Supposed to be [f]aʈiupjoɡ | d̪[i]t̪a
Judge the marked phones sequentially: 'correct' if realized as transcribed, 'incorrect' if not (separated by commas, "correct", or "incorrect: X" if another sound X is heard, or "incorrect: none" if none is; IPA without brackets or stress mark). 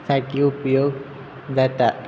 incorrect: s, incorrect: a